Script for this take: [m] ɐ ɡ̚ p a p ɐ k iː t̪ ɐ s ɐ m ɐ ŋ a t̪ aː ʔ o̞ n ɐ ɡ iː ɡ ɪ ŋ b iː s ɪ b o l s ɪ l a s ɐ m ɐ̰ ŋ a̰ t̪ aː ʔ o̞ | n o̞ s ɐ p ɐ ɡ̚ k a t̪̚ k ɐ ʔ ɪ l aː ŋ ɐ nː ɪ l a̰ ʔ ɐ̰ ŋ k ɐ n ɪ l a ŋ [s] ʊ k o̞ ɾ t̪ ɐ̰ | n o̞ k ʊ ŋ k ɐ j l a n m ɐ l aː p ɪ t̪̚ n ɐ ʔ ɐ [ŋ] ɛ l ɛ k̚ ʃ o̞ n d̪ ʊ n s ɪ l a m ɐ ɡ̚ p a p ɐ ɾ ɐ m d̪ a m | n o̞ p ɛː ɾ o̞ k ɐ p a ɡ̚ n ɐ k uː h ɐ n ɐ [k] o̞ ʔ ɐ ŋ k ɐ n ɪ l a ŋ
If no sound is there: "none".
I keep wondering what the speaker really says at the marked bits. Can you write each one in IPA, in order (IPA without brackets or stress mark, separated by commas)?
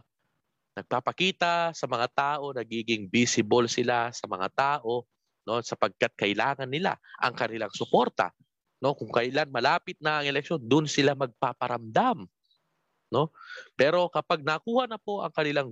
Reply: n, s, ŋ, p